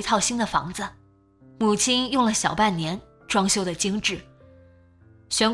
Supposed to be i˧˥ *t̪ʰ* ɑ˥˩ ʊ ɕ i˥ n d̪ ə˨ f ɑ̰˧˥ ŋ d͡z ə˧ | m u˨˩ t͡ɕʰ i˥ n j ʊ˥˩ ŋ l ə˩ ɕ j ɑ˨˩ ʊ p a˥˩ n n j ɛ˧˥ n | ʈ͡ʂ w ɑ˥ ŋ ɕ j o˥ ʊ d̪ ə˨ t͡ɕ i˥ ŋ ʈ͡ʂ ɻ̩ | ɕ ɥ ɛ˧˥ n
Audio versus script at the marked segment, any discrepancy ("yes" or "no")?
no